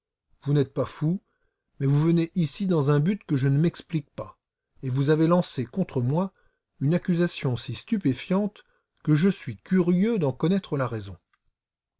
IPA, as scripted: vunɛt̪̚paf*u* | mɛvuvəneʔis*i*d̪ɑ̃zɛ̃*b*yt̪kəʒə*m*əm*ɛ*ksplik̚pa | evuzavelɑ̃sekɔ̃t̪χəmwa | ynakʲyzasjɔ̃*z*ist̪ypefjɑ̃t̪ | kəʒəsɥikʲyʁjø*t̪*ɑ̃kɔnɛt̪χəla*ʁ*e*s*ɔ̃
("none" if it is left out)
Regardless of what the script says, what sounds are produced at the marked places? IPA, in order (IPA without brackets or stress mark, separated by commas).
u, i, b, n, ɛ, s, d̪, ʁ, z